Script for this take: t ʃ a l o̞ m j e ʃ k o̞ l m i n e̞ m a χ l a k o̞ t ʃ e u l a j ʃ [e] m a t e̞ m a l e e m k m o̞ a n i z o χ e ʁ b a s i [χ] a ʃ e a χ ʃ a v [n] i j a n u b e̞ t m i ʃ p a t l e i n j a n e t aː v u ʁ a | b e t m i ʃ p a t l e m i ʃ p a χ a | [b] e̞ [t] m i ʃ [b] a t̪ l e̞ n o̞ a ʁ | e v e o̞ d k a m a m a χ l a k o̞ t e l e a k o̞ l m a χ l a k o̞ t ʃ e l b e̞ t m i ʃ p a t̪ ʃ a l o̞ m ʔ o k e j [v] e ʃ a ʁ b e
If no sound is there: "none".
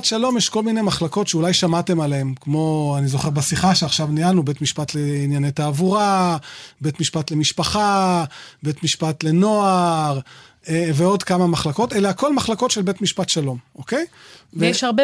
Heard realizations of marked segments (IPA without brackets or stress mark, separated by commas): a, χ, n, b, t, p, v